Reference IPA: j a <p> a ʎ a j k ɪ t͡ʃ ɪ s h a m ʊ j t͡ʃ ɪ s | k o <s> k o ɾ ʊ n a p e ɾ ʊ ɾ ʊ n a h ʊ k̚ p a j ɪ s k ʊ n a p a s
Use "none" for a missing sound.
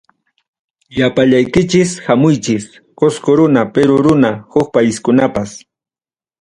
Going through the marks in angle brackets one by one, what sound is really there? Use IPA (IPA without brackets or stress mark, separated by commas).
p, s